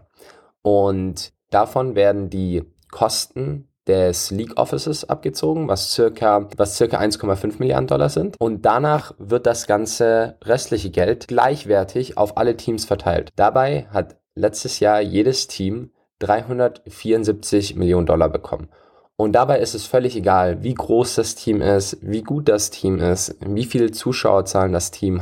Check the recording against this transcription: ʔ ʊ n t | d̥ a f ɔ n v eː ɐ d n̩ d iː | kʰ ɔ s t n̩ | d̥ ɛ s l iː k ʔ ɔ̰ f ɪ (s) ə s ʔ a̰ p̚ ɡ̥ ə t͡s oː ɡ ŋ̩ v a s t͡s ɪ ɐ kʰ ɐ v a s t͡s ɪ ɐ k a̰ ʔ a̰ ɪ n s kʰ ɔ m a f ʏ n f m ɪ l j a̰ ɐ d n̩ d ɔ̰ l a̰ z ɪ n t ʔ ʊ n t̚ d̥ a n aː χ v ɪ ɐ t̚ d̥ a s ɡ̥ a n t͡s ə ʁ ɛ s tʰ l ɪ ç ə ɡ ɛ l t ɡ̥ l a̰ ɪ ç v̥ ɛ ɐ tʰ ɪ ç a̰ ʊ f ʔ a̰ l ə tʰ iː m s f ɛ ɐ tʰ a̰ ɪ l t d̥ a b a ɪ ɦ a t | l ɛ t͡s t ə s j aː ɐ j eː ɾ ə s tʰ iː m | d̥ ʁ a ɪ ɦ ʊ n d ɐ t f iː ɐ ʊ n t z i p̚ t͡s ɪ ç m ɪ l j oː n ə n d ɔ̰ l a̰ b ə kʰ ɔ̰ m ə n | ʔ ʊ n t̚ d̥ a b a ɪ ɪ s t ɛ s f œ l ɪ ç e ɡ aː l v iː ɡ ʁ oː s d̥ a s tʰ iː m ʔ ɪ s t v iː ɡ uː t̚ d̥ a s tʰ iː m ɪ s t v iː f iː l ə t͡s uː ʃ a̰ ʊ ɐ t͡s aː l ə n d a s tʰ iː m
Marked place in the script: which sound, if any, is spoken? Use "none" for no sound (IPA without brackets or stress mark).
s